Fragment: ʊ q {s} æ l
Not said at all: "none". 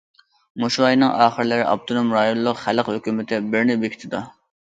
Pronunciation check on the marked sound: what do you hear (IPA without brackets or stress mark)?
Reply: χ